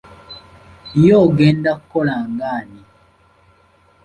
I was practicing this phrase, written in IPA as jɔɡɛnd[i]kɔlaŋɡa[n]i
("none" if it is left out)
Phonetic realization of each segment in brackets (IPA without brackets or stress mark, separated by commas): a, n